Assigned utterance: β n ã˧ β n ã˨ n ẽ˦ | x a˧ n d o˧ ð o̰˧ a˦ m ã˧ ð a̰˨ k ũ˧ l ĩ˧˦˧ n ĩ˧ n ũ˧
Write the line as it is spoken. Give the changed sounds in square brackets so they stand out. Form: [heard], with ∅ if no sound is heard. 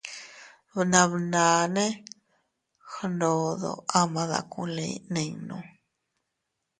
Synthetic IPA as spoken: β n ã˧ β n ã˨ n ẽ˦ | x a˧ n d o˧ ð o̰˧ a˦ m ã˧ ð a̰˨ k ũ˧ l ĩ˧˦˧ n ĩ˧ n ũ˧